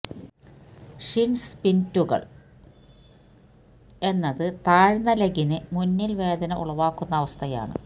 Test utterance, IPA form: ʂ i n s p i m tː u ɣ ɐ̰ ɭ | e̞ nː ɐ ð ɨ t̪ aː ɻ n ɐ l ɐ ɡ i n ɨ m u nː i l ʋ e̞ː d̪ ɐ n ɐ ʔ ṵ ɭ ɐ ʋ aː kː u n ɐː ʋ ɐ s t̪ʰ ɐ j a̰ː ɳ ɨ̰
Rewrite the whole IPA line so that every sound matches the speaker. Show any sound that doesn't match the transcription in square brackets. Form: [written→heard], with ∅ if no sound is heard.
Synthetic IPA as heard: ʂ i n s p i [m→n] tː u ɣ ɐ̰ ɭ | e̞ nː ɐ ð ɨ t̪ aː ɻ n ɐ l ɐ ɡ i n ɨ m u nː i l ʋ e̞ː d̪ ɐ n ɐ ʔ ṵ ɭ ɐ ʋ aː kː u [n→nː] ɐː ʋ ɐ s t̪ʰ ɐ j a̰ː ɳ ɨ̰